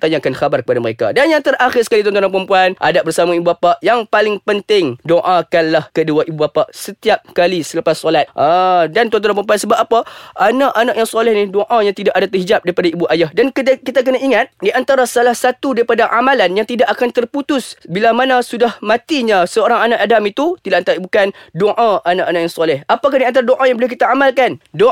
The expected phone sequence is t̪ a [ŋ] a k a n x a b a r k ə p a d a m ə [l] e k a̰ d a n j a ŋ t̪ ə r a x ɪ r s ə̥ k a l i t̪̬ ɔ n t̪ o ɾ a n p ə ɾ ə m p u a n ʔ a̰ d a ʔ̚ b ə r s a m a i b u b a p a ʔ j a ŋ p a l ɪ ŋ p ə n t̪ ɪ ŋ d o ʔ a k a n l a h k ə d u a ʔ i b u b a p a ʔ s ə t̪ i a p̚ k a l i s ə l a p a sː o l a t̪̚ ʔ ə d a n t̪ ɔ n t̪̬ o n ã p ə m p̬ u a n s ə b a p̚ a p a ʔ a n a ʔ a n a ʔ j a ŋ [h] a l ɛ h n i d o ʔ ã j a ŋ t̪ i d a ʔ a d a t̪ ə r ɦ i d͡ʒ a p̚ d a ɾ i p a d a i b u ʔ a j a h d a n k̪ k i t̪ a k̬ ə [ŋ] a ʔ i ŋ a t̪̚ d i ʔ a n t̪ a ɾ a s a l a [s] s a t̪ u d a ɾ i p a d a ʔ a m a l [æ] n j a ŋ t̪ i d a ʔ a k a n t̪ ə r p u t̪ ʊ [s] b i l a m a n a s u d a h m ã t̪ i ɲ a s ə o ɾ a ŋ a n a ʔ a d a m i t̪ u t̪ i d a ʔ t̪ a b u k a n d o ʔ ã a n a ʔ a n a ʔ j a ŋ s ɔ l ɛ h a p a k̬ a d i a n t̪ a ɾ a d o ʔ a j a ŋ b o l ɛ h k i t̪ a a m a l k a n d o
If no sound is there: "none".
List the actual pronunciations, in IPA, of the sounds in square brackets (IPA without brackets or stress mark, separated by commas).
ɲ, ɾ, s, n, h, a, s